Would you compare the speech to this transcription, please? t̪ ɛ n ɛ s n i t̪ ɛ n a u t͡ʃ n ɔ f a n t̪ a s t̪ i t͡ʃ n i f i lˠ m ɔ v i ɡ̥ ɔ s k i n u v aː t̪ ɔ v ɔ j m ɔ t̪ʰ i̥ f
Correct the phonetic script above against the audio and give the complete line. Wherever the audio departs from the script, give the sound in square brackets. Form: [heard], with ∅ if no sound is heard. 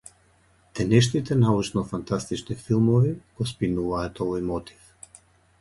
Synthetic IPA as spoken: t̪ ɛ n ɛ [ʃ] n i t̪ ɛ n a u t͡ʃ n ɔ f a n t̪ a s t̪ i t͡ʃ n i f i lˠ m ɔ v i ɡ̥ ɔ s [p] i n u v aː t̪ ɔ v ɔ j m ɔ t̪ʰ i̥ f